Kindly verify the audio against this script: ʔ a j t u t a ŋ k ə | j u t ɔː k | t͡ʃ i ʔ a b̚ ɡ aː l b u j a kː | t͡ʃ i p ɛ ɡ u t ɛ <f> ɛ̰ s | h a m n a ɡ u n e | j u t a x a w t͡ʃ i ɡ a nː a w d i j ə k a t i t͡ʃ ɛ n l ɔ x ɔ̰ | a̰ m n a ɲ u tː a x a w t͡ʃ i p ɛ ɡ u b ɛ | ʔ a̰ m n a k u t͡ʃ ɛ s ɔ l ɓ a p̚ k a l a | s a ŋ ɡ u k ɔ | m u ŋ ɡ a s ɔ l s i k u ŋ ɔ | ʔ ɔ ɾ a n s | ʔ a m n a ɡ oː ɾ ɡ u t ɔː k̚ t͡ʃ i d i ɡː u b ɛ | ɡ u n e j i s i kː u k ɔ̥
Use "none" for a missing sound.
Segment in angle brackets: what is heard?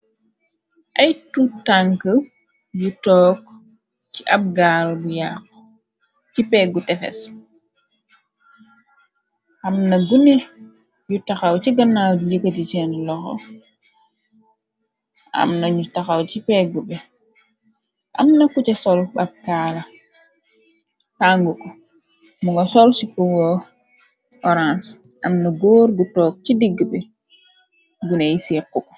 f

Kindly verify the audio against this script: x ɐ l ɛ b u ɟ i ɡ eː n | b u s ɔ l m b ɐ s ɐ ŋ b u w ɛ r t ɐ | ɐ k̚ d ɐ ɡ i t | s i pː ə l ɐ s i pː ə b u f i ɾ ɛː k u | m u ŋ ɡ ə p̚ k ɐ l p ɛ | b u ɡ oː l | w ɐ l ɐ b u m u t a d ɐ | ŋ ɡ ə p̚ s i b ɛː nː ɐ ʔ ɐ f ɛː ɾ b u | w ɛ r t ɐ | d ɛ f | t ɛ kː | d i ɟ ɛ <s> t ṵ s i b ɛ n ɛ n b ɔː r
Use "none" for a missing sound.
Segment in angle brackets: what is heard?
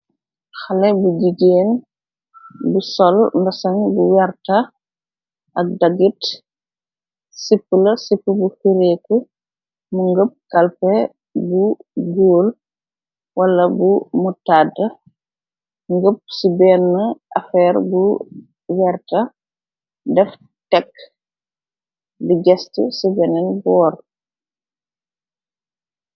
s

